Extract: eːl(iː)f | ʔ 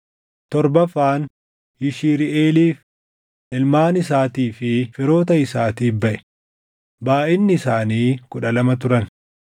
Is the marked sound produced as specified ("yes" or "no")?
yes